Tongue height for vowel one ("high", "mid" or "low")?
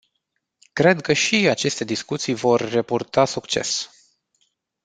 mid